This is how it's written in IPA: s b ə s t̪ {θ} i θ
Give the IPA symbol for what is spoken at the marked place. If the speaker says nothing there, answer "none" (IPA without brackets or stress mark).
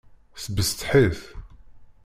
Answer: ħ